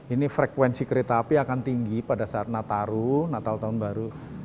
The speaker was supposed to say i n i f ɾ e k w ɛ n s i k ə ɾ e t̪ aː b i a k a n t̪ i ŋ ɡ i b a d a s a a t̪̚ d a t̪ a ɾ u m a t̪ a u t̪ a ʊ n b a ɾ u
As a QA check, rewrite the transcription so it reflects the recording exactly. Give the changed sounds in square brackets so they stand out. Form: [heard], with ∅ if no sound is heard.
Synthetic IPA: i n i f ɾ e k w ɛ n s i k ə ɾ e t̪ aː [p] i a k a n t̪ i ŋ ɡ i [p] a d a s a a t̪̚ [n] a t̪ a ɾ u [n] a t̪ a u t̪ a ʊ n b a ɾ u